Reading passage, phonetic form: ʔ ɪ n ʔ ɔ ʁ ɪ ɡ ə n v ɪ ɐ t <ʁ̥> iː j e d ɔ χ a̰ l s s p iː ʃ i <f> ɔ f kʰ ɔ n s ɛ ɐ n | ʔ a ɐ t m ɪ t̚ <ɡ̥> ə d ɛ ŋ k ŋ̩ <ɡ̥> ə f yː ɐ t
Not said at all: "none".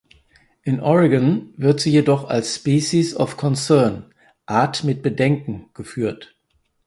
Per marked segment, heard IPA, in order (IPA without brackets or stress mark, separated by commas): z̥, s, b̥, ɡ̥